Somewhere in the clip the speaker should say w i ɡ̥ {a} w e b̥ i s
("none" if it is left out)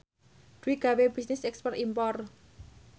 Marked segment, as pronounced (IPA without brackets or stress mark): a